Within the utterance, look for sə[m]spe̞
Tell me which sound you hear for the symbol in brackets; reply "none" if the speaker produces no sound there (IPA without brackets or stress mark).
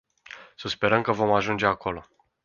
none